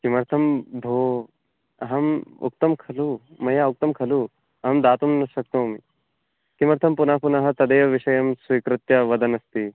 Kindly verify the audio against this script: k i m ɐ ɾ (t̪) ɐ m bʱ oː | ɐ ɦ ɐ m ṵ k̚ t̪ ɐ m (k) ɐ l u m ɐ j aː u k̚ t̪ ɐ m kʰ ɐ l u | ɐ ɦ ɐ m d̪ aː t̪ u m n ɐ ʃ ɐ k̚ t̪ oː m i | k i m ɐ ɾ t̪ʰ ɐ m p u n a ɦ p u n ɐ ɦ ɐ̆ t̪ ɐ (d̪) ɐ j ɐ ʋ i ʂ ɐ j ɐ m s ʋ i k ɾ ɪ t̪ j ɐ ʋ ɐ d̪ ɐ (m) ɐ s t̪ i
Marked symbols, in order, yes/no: no, no, yes, no

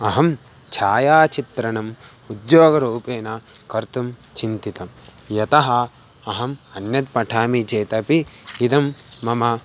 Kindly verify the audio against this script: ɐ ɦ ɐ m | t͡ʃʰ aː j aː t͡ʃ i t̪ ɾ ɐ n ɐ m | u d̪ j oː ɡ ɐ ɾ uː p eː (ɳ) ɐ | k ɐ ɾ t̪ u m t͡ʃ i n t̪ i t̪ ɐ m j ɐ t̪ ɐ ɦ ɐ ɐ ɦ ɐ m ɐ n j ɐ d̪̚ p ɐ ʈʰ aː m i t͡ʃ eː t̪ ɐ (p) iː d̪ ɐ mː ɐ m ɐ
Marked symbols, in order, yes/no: no, yes

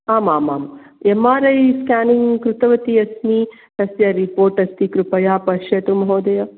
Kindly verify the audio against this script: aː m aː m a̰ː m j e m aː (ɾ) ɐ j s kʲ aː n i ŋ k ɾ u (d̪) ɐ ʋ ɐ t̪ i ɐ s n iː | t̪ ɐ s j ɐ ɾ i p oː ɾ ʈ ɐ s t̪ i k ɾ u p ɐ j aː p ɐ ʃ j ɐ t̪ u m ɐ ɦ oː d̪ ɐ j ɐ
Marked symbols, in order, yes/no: yes, no

